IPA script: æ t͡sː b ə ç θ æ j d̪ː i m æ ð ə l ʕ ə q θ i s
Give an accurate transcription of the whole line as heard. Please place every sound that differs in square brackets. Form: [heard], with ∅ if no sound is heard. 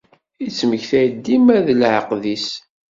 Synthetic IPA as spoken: [i] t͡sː [m] ə ç θ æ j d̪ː i m æ ð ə l ʕ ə q [ð] i s